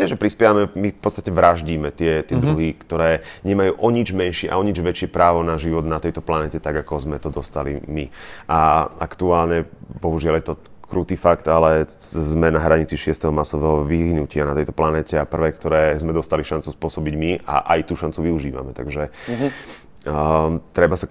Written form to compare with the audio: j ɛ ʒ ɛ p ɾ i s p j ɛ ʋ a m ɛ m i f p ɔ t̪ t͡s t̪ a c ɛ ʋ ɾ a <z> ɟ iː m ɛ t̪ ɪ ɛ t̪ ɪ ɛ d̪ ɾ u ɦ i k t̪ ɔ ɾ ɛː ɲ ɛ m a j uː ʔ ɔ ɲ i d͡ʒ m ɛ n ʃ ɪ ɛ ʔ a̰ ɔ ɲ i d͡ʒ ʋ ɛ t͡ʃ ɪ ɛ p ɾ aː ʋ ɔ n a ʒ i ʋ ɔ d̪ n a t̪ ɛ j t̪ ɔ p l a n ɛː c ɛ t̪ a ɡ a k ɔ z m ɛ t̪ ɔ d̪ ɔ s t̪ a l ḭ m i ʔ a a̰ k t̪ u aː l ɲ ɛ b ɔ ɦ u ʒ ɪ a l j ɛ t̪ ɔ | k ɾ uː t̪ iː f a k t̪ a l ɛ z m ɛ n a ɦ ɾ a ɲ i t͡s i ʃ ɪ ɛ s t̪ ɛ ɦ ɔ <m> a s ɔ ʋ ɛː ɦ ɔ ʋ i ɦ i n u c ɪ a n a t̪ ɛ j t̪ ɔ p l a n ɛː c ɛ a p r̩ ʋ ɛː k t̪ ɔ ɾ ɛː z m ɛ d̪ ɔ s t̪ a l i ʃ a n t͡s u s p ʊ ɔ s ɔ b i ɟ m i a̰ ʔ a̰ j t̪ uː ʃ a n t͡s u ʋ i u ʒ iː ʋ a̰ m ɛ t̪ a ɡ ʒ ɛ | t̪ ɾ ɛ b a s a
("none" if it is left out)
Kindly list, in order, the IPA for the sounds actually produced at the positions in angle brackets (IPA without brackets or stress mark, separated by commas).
ʒ, m